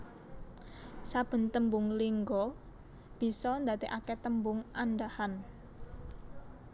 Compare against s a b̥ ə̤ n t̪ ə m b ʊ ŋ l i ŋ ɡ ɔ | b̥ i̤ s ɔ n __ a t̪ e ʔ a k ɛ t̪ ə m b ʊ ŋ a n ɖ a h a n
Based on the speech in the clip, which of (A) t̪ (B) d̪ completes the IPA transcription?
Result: B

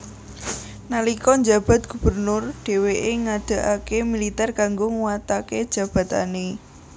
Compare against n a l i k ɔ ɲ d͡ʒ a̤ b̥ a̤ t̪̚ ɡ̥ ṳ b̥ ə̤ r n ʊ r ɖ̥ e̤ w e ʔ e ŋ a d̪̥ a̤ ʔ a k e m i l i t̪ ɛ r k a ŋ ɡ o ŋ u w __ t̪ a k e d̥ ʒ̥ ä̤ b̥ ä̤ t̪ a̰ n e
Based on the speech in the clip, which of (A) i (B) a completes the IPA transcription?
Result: B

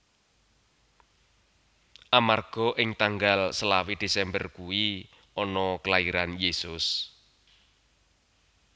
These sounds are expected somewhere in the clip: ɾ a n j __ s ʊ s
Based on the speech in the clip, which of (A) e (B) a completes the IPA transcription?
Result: A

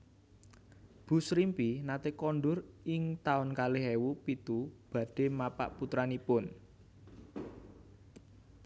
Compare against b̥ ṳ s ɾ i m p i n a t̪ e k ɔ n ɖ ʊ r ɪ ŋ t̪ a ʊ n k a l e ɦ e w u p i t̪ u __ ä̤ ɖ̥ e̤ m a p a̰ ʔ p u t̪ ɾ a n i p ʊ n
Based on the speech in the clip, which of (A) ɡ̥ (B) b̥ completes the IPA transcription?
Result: B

